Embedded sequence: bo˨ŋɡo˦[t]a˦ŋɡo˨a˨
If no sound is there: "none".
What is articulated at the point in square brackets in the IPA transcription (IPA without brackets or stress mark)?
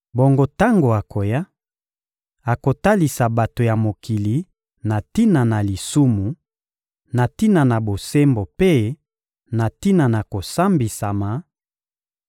t